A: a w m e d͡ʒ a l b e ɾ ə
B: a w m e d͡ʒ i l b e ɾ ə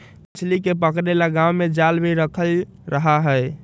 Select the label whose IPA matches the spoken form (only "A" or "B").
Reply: A